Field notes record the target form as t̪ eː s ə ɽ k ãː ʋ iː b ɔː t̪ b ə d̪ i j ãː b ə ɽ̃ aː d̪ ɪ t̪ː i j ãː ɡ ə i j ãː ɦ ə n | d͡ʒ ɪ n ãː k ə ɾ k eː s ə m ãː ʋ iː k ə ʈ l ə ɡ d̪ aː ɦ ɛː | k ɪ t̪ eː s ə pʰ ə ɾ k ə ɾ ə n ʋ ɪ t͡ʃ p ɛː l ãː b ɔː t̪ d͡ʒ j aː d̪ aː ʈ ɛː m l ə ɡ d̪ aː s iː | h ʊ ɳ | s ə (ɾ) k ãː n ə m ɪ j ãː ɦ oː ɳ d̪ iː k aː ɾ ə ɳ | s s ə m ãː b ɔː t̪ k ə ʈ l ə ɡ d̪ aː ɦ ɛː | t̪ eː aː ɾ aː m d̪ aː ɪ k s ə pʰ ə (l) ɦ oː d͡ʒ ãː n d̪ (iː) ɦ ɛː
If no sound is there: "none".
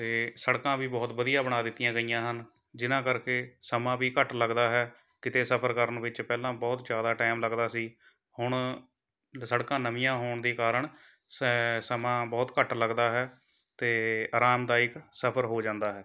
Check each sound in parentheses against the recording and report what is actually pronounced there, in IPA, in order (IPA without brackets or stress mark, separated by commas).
ɽ, ɾ, aː